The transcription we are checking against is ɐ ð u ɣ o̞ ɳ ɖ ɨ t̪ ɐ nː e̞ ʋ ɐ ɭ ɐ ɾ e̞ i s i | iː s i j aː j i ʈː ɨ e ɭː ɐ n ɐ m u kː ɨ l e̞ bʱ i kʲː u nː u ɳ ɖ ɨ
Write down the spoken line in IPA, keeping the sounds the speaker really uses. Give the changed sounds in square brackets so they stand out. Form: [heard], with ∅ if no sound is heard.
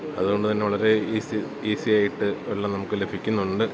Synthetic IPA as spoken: ɐ ð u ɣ o̞ ɳ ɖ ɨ t̪ ɐ nː e̞ ʋ ɐ ɭ ɐ ɾ e̞ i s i | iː s i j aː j i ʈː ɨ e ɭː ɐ n ɐ m u kː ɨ l e̞ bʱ i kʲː u nː u ɳ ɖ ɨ